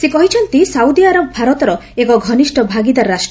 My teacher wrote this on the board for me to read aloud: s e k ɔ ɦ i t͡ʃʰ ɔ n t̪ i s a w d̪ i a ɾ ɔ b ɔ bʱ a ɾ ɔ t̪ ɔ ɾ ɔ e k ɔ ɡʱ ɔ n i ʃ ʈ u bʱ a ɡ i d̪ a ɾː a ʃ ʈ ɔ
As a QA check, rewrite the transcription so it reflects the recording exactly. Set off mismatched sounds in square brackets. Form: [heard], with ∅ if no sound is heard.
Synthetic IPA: s e k ɔ ɦ i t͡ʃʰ ɔ n t̪ i s a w d̪ i a ɾ ɔ b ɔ bʱ a ɾ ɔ t̪ ɔ ɾ ɔ e k ɔ ɡʱ ɔ n i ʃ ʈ [ɔ] bʱ a ɡ i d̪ a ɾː a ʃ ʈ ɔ

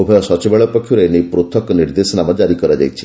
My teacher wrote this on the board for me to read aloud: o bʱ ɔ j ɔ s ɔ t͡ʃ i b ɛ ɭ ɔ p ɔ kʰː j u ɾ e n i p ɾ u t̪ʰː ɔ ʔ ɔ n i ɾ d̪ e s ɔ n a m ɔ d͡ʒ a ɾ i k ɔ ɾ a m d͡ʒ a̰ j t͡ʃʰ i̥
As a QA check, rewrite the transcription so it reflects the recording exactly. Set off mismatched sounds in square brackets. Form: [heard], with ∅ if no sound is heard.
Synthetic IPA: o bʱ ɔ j ɔ s ɔ t͡ʃ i b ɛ ɭ ɔ p ɔ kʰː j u ɾ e n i p ɾ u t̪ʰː ɔ [k] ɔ n i ɾ d̪ e s ɔ n a m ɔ d͡ʒ a ɾ i k ɔ ɾ a [∅] d͡ʒ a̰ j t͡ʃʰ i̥

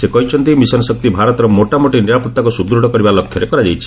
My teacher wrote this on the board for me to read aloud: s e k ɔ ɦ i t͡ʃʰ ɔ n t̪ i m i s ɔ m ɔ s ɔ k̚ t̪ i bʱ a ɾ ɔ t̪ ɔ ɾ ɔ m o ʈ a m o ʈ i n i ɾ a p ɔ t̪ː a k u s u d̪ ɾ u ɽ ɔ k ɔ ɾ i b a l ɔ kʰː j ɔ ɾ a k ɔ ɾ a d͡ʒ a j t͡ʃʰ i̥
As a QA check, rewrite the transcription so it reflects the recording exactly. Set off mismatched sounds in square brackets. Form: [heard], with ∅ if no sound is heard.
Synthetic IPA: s e k ɔ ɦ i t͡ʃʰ ɔ n t̪ i m i s ɔ [n] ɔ s ɔ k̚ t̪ i bʱ a ɾ ɔ t̪ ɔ ɾ ɔ m o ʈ a m o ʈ i n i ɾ a p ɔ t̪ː a k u s u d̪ ɾ u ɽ ɔ k ɔ ɾ i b a l ɔ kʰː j ɔ ɾ [e] k ɔ ɾ a d͡ʒ a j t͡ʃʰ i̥

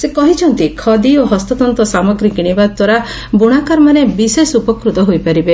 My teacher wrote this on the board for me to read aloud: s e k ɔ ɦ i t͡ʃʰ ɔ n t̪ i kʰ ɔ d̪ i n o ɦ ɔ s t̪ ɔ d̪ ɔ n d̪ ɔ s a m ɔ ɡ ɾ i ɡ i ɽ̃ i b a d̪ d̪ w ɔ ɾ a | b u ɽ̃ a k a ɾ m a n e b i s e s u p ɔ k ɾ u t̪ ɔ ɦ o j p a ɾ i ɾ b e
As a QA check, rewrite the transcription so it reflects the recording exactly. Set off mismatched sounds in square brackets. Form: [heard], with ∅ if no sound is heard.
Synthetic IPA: s e k ɔ ɦ i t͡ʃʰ ɔ n t̪ i kʰ ɔ d̪ i [∅] o ɦ ɔ s t̪ ɔ [t̪] ɔ n [t̪] ɔ s a m ɔ ɡ ɾ i ɡ i ɽ̃ i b a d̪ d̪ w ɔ ɾ a | b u ɽ̃ a k a ɾ m a n e b i s e s u p ɔ k ɾ u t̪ ɔ ɦ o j p a ɾ i [∅] b e

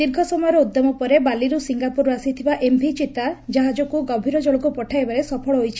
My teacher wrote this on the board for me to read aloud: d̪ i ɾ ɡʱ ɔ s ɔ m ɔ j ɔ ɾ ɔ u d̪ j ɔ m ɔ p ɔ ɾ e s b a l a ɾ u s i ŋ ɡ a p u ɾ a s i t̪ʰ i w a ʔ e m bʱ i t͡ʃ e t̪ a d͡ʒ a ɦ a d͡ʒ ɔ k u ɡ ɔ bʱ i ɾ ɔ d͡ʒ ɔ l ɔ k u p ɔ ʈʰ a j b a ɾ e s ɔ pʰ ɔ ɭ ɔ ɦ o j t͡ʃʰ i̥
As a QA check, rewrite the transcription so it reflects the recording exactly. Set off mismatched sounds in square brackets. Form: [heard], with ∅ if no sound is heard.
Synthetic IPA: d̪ i ɾ ɡʱ ɔ s ɔ m ɔ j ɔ ɾ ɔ u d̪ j ɔ m ɔ p ɔ ɾ e [∅] b a l [i] ɾ u s i ŋ ɡ a p u ɾ a s i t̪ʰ i [b] a ʔ e m bʱ i t͡ʃ [i] t̪ a d͡ʒ a ɦ a d͡ʒ ɔ k u ɡ ɔ bʱ i ɾ ɔ d͡ʒ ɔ [ɭ] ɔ k u p ɔ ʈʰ a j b a ɾ e s ɔ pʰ ɔ ɭ ɔ ɦ o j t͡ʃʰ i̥

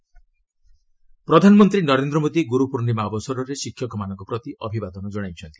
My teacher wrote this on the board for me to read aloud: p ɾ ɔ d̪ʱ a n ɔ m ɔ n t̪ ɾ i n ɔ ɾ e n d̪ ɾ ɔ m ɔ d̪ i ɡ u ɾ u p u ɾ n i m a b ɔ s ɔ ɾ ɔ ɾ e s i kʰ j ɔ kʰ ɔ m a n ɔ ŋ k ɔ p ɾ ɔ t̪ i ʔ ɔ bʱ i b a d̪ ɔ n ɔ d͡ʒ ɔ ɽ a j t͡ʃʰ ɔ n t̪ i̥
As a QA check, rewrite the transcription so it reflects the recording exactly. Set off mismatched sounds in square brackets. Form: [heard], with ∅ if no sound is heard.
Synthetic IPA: p ɾ ɔ d̪ʱ a n ɔ m ɔ n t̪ ɾ i n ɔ ɾ e n d̪ ɾ ɔ m [o] d̪ i ɡ u ɾ u p u ɾ n i m a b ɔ s ɔ ɾ ɔ ɾ e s i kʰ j ɔ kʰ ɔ m a n ɔ ŋ k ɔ p ɾ ɔ t̪ i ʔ ɔ bʱ i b a d̪ ɔ n ɔ d͡ʒ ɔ ɽ a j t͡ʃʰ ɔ n t̪ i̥

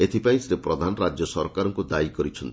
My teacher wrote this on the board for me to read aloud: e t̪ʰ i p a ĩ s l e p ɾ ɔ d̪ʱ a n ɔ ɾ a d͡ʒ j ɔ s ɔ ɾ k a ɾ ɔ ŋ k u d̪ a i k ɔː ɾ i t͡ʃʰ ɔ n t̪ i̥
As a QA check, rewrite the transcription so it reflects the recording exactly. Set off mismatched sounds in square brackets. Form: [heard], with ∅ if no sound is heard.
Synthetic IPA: e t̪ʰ i p a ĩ s [ɾ] e p ɾ ɔ d̪ʱ a n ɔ ɾ a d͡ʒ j ɔ s ɔ ɾ k a ɾ ɔ ŋ k u d̪ a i k [ɔ] ɾ i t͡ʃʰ ɔ n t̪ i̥

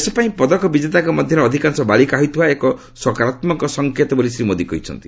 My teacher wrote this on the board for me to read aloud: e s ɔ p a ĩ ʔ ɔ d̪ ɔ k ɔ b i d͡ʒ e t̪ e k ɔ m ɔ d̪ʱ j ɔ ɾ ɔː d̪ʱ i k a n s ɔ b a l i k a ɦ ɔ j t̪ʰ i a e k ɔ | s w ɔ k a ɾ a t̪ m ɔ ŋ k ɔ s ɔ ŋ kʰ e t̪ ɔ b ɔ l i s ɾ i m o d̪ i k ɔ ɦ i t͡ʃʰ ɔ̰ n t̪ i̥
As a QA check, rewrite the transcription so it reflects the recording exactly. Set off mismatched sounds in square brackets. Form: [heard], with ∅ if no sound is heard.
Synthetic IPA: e s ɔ p a ĩ [p] ɔ d̪ ɔ k ɔ b i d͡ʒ e t̪ [a] k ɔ m ɔ d̪ʱ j ɔ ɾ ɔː d̪ʱ i k a n s ɔ b a l i k a ɦ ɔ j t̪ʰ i a e k ɔ | s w ɔ k a ɾ a t̪ m ɔ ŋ k ɔ s ɔ ŋ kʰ e t̪ ɔ b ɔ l i s ɾ i m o d̪ i k ɔ ɦ i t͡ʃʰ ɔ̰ n t̪ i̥

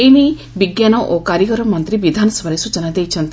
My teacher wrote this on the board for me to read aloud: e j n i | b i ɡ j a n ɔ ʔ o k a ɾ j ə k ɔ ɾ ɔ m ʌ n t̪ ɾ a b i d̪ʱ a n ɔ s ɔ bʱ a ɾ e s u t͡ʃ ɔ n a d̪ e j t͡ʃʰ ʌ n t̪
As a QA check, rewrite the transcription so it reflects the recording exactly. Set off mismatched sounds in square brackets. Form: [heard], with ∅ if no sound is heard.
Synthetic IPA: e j n i | b i ɡ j a n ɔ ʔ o k a ɾ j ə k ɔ ɾ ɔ m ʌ n t̪ ɾ [i] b i d̪ʱ a n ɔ s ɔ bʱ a ɾ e s u t͡ʃ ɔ n a d̪ e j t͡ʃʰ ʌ n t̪

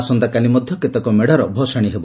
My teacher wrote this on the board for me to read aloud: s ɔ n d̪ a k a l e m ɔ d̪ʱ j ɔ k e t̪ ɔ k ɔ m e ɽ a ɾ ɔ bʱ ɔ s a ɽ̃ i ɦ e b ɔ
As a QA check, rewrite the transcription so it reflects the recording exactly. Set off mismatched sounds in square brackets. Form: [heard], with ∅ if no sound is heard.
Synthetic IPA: s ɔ n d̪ a k a l [i] m ɔ d̪ʱ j ɔ k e t̪ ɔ k ɔ m e ɽ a ɾ ɔ bʱ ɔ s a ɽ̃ i ɦ e b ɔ

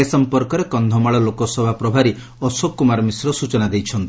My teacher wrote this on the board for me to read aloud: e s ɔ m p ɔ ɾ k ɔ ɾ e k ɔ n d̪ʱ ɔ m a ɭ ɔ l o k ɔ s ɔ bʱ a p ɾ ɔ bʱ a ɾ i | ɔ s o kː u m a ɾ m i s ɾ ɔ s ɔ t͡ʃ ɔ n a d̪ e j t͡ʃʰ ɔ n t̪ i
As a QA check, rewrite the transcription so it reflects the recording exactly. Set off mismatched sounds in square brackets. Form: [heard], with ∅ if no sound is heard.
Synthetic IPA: e s ɔ m p ɔ ɾ k ɔ ɾ e k ɔ n d̪ʱ ɔ m a ɭ ɔ l o k ɔ s ɔ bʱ a p ɾ ɔ bʱ a ɾ i | ɔ s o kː u m a ɾ m i s ɾ ɔ s [u] t͡ʃ ɔ n a d̪ e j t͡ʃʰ ɔ n t̪ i

